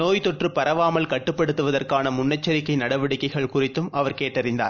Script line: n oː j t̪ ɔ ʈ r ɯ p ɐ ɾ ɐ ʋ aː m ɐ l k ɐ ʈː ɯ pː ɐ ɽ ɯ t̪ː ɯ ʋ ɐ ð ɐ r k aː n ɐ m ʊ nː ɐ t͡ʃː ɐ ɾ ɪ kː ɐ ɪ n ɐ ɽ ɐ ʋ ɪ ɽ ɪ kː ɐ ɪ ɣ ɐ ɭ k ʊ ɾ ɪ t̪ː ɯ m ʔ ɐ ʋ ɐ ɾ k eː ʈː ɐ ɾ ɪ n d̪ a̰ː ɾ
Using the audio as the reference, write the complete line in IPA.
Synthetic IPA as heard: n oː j t̪ ɔ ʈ r ɯ p ɐ ɾ ɐ ʋ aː m ɐ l k ɐ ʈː ɯ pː ɐ ɽ ɯ t̪ː ɯ ʋ ɐ ð ɐ r k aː n ɐ m ʊ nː ɐ t͡ʃː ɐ ɾ ɪ kː ɐ ɪ n ɐ ɽ ɐ ʋ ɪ ɽ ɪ kː ɐ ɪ ɣ ɐ ɭ k ʊ r ɪ t̪ː ɯ m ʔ ɐ ʋ ɐ ɾ k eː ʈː ɐ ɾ ɪ n d̪ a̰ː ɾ